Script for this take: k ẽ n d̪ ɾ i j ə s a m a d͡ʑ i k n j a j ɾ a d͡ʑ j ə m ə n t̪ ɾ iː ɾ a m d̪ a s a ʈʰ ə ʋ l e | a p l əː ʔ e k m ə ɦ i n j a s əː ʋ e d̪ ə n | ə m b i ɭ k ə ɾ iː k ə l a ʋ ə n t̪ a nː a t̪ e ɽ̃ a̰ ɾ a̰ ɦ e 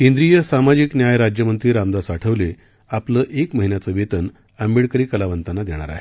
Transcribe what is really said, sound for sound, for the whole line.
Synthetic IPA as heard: k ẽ n d̪ ɾ i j ə s a m a d͡ʑ i k n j a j ɾ a d͡ʑ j ə m ə n t̪ ɾ iː ɾ a m d̪ a s a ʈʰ ə ʋ l e | a p l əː ʔ e k m ə ɦ i n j a t͡s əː ʋ e t̪ ə n | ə m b i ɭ k ə ɾ iː k ə l a ʋ ə n t̪ a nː a d̪ e ɽ̃ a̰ ɾ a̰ ɦ e